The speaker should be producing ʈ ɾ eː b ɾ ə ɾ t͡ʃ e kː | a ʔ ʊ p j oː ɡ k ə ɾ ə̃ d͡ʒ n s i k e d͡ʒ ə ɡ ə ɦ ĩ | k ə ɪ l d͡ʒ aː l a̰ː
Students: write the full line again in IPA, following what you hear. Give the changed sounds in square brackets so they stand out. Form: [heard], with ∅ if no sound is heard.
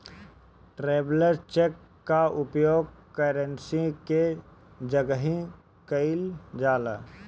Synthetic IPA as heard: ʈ ɾ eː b [l] ə ɾ t͡ʃ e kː | a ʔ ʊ p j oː ɡ k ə ɾ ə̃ [∅] n s i k e d͡ʒ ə ɡ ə ɦ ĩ | k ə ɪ l d͡ʒ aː l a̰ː